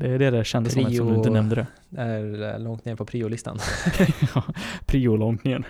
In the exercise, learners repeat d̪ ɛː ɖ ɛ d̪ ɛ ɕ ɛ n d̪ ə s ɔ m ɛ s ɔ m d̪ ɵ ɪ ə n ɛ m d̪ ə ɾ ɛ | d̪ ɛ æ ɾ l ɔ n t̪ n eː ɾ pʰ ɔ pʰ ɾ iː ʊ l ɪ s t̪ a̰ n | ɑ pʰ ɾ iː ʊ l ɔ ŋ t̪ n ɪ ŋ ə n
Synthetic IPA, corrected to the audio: d̪ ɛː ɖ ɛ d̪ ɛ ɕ ɛ n d̪ ə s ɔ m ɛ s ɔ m d̪ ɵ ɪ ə n ɛ m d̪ ə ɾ ɛ | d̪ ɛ æ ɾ l ɔ ŋ t̪ n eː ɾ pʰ ɔ pʰ ɾ iː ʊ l ɪ s t̪ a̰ n | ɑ pʰ ɾ iː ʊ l ɔ ŋ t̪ n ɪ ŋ ə n